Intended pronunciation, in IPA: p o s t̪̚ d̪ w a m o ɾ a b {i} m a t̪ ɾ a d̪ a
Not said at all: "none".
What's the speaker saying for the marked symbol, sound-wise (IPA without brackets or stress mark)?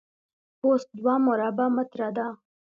a